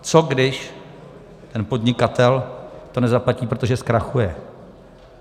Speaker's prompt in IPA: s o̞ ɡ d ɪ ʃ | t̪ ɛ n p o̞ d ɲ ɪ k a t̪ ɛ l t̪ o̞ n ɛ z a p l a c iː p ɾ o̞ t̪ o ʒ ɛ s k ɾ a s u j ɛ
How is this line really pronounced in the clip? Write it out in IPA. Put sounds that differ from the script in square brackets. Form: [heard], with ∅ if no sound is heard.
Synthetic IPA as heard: [t͡s] o̞ ɡ d ɪ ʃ | t̪ ɛ n p o̞ d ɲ ɪ k a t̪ ɛ l t̪ o̞ n ɛ z a p l a c iː p ɾ o̞ t̪ o ʒ ɛ s k ɾ a [x] u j ɛ